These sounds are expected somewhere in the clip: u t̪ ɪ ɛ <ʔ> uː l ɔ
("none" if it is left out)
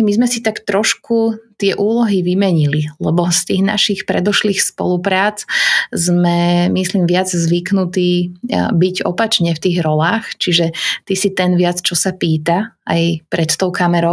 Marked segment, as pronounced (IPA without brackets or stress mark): ʔ